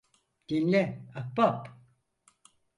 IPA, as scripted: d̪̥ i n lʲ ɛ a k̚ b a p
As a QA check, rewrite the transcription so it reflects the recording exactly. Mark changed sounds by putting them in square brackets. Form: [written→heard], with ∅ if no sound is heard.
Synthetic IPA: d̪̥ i n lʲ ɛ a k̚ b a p